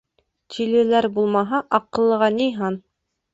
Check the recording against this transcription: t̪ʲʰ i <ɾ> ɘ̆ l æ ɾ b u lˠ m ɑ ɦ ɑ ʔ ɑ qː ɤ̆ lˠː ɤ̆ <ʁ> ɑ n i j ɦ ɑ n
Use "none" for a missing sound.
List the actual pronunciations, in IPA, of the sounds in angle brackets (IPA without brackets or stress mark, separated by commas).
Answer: l, ʁ